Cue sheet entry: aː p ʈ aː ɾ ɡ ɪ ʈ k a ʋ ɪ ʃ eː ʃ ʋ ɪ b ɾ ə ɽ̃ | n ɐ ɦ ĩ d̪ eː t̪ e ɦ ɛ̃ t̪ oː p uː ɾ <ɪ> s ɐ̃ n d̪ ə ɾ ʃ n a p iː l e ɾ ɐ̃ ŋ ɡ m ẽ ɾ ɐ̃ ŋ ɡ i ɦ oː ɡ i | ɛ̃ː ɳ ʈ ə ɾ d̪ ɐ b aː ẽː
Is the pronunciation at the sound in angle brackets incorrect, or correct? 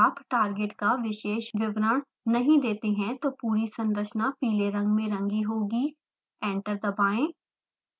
incorrect